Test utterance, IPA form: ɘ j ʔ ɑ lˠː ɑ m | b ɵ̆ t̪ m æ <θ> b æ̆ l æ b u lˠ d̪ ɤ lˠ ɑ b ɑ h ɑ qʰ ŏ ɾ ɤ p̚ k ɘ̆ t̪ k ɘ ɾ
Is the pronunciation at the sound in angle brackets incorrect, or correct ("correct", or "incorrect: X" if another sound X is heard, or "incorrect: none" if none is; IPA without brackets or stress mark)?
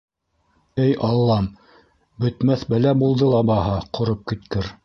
correct